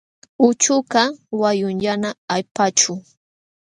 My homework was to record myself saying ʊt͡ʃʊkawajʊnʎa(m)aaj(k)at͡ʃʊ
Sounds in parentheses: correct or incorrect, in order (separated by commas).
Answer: incorrect, incorrect